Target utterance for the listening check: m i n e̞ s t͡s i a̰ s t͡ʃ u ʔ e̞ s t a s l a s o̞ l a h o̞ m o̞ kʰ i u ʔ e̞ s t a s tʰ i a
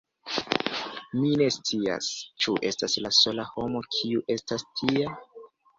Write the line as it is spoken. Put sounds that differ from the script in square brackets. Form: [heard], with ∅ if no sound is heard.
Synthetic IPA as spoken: m i n e̞ s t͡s i a̰ s t͡ʃ u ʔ e̞ s t a s l a s o̞ l a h o̞ m o̞ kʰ i u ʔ e̞ s t a s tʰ i a